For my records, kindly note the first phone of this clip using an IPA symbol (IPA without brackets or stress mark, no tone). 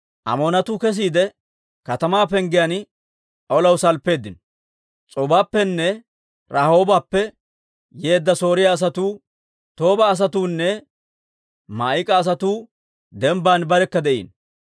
ʔ